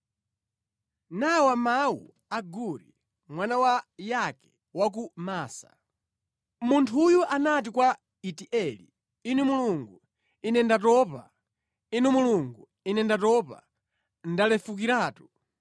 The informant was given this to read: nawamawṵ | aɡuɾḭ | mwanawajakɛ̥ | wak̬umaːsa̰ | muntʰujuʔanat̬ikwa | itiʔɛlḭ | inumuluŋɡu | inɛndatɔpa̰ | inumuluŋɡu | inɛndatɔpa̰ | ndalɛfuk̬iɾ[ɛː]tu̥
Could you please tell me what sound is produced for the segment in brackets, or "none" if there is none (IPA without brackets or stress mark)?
aː